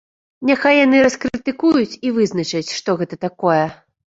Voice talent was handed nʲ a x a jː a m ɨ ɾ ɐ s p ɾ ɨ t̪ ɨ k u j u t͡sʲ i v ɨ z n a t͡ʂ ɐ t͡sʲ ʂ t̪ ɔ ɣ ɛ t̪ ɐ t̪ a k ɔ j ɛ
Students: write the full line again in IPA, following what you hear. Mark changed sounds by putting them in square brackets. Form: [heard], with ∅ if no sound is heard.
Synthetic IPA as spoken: nʲ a x a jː a [n] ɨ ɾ ɐ s [k] ɾ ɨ t̪ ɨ k u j u t͡sʲ i v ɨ z n [ɐ] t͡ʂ ɐ t͡sʲ ʂ t̪ ɔ ɣ ɛ t̪ ɐ t̪ a k ɔ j ɛ